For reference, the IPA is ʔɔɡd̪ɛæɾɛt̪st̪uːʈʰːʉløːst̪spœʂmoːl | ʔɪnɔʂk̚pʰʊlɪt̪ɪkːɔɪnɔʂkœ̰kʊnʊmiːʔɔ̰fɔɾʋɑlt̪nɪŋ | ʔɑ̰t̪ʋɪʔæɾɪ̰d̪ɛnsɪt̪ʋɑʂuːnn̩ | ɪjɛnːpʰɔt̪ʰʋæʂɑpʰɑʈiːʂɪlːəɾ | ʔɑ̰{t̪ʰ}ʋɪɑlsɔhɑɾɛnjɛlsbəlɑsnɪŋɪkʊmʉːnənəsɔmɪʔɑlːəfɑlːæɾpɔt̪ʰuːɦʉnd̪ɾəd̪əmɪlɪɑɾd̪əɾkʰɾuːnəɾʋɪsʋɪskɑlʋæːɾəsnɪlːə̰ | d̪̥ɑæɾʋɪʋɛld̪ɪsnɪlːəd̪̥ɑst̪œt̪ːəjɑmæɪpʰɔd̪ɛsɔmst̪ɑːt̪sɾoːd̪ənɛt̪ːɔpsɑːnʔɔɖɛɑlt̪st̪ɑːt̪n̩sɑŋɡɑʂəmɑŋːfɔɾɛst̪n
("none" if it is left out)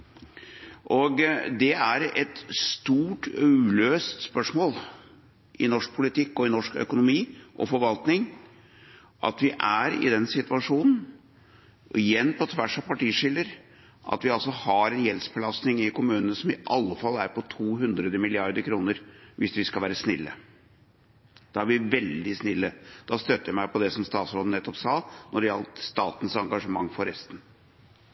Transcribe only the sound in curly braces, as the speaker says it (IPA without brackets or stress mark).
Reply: t̪